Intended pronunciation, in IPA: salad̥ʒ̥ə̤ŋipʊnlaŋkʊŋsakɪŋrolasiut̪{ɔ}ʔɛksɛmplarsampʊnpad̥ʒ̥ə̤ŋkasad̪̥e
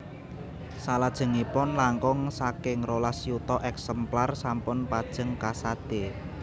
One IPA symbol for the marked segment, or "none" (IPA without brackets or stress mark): ɔ